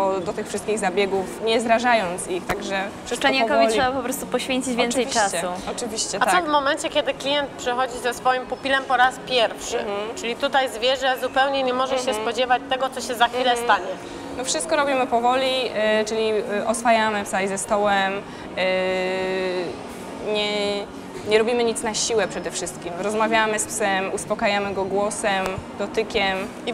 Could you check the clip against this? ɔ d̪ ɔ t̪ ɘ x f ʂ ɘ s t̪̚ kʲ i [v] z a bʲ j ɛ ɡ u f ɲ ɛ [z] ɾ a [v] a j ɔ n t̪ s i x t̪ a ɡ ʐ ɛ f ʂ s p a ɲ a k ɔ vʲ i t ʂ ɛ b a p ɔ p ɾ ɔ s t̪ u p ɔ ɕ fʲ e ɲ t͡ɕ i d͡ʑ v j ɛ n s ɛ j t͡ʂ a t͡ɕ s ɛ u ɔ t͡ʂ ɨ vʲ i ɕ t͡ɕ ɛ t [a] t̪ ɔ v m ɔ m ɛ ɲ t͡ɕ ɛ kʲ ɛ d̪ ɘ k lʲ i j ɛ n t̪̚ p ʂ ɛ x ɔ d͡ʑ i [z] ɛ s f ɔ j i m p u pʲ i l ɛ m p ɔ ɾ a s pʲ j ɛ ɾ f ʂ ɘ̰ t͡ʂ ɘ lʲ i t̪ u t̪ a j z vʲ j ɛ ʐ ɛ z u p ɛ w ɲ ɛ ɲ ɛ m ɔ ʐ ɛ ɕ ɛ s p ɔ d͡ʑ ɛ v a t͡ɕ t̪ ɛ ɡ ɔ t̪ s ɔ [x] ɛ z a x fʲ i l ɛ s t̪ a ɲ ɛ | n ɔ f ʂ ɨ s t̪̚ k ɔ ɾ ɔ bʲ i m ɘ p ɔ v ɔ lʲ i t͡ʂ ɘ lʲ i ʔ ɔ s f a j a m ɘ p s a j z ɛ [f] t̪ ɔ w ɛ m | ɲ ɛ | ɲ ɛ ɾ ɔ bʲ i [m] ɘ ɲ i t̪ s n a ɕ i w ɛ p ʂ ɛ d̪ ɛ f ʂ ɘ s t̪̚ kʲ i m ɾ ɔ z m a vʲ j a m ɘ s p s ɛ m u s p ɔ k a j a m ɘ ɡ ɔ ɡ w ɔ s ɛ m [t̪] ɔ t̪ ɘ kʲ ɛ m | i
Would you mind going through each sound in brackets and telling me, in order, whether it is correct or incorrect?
incorrect: ɣ, correct, incorrect: ʐ, correct, correct, incorrect: ɕ, incorrect: s, correct, incorrect: d̪

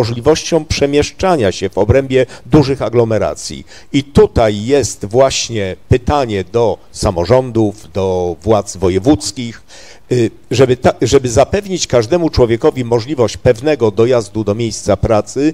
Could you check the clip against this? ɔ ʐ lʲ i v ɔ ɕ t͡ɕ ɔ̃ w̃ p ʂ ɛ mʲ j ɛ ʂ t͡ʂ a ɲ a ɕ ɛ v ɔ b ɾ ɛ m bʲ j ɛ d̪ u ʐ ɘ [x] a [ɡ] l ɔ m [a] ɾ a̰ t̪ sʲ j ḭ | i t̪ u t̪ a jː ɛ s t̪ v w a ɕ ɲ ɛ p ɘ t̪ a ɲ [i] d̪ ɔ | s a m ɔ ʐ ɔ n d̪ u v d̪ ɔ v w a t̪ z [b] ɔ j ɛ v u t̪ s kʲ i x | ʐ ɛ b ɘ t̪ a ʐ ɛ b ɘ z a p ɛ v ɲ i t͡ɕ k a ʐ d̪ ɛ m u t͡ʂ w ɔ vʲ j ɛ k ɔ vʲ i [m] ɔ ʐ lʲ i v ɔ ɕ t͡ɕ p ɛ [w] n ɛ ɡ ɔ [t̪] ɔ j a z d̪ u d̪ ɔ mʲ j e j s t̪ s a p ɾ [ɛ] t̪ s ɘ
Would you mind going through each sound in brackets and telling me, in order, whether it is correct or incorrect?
correct, correct, incorrect: ɛ, incorrect: ɛ, incorrect: v, correct, incorrect: v, incorrect: d̪, incorrect: a

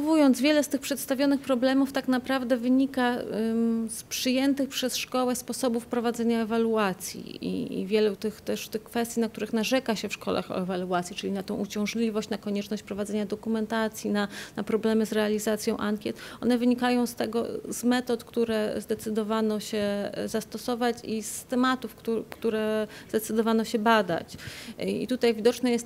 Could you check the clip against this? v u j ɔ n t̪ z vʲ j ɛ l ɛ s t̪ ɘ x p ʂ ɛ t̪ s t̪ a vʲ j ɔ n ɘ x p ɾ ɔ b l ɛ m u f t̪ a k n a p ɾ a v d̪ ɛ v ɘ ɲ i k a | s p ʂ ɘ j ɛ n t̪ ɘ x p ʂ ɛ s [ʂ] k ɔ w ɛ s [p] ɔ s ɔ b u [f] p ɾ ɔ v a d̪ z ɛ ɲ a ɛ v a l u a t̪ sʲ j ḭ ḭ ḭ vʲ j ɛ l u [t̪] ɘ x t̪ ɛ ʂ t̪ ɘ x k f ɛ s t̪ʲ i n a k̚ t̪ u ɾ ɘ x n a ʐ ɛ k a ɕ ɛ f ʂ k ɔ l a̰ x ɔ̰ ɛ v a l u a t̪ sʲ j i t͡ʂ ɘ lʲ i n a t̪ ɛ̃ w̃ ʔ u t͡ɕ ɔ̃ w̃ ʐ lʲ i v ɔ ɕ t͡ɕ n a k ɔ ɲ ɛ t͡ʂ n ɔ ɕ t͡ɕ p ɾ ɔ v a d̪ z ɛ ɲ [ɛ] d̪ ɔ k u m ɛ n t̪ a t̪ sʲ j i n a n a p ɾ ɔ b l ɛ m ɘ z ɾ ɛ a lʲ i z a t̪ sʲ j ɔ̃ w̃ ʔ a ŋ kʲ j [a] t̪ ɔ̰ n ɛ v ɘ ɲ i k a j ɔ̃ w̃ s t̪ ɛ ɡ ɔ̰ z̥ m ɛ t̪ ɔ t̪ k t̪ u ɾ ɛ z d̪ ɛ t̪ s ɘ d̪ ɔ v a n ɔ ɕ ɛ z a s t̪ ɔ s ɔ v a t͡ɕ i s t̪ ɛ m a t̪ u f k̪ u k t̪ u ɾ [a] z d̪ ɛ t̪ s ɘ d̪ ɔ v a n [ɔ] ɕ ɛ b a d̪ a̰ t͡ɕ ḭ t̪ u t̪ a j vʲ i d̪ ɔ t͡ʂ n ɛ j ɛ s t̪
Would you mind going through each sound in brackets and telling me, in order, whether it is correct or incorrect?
correct, correct, correct, correct, incorrect: a, incorrect: ɛ, incorrect: ɛ, correct

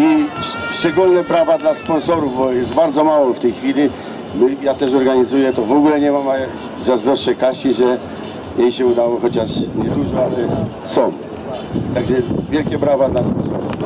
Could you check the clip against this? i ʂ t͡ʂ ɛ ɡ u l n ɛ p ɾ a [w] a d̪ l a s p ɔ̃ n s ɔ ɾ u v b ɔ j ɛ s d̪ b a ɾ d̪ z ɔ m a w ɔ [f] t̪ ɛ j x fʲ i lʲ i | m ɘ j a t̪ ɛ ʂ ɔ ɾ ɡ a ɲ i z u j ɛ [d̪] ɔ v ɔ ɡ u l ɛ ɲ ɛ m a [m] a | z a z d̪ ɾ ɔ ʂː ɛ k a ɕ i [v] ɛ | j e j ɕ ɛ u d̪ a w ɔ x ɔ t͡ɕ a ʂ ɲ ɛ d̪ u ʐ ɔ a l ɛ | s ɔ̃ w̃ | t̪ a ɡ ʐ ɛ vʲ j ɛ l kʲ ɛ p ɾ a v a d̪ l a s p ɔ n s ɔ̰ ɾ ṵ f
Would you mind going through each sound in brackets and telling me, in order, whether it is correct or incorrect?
incorrect: v, correct, incorrect: t̪, correct, incorrect: ʐ

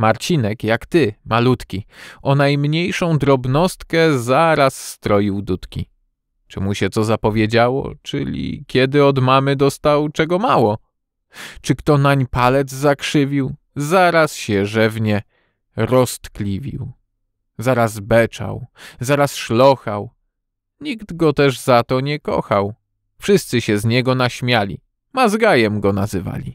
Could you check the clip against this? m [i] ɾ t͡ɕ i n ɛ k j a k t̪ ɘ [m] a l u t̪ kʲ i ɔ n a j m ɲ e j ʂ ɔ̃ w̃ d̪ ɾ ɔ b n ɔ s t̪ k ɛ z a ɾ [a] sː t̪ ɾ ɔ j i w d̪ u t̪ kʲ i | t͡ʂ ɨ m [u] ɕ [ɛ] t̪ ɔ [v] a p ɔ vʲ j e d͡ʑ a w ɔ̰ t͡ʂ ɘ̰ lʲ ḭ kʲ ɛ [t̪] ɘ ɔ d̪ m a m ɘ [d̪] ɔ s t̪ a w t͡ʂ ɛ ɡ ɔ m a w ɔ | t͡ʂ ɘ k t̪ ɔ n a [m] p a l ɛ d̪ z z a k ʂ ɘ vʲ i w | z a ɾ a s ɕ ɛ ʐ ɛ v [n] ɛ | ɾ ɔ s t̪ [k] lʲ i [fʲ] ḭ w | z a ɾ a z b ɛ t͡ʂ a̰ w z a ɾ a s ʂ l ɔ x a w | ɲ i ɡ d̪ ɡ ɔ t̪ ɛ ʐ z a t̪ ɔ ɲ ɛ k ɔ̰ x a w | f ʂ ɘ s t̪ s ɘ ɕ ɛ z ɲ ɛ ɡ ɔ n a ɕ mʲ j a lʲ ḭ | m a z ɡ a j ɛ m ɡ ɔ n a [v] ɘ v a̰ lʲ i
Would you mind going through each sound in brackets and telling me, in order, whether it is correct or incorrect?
incorrect: a, correct, correct, correct, correct, incorrect: z, incorrect: d̪, correct, incorrect: ɲ, incorrect: ɲ, correct, incorrect: vʲ, incorrect: z

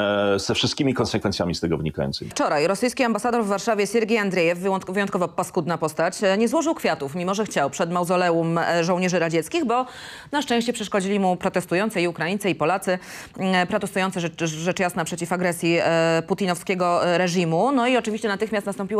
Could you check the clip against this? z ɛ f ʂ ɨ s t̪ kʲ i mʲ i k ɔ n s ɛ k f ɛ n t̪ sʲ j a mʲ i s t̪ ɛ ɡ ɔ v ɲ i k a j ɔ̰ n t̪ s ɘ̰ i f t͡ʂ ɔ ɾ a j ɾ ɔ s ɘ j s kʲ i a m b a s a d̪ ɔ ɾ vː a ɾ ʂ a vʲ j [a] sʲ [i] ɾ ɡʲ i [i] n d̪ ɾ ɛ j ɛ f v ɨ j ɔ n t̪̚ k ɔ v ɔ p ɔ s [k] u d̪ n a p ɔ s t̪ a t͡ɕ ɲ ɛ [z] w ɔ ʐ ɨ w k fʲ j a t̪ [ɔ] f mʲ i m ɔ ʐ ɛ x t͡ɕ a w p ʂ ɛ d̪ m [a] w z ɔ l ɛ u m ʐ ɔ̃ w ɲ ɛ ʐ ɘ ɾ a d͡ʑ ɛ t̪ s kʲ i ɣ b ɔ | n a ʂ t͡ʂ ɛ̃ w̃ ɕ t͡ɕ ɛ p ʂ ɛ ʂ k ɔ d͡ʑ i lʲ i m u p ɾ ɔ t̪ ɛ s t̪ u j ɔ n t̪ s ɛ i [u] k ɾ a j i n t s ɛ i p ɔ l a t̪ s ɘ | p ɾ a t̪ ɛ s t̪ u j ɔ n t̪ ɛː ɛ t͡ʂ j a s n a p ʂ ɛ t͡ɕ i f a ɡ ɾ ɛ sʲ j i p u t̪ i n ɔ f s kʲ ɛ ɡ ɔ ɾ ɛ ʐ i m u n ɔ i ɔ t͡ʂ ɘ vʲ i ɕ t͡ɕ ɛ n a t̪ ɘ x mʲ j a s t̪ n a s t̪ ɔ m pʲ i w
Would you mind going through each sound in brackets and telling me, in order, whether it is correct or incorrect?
incorrect: ɛ, incorrect: ɛ, incorrect: a, correct, correct, incorrect: u, correct, correct

